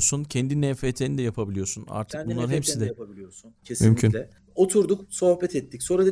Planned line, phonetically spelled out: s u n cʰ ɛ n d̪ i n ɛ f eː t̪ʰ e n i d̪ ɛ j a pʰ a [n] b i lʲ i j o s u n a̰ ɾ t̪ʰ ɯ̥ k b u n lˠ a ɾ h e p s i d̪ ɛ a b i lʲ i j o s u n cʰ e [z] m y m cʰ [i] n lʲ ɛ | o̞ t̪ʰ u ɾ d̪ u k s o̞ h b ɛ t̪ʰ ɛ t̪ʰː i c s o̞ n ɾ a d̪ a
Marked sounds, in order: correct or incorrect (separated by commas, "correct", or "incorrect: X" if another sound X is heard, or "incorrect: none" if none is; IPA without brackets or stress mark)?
incorrect: none, incorrect: s, incorrect: y